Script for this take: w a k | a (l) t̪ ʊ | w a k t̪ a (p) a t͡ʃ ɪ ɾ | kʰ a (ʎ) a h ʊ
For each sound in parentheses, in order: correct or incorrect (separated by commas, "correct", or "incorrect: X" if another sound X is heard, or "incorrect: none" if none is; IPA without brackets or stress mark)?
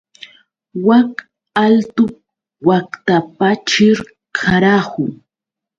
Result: correct, correct, incorrect: ɾ